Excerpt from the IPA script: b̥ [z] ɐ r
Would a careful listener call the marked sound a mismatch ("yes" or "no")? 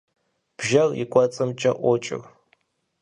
yes